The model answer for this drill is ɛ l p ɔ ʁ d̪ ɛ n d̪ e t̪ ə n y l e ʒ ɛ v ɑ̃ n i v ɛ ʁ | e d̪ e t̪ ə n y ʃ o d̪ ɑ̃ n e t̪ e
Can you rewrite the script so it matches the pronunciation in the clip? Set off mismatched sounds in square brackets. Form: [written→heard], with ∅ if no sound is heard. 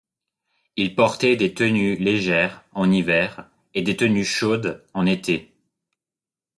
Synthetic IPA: [ɛ→i] l p ɔ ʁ [d̪→t̪] ɛ [n→∅] d̪ e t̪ ə n y l e ʒ ɛ [v→ʁ] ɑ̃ n i v ɛ ʁ | e d̪ e t̪ ə n y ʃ o d̪ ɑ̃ n e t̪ e